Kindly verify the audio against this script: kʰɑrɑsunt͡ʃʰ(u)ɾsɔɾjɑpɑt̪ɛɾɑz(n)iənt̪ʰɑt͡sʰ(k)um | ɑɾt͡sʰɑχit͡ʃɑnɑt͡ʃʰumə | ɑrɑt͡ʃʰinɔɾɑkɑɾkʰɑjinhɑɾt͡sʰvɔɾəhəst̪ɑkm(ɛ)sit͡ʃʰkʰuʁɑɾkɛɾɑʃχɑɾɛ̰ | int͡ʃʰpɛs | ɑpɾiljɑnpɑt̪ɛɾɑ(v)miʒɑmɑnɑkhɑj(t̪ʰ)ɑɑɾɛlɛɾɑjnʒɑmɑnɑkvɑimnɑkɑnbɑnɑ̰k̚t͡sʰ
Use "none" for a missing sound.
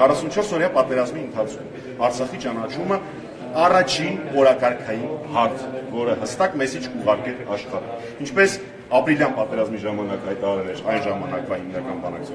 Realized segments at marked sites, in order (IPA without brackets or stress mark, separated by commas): ɔ, m, kʰ, ɛ, z, t̪